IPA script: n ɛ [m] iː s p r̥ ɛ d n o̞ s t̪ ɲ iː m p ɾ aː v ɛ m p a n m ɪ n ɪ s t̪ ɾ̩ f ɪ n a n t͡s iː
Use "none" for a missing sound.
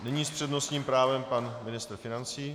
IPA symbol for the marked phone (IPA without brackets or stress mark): ɲ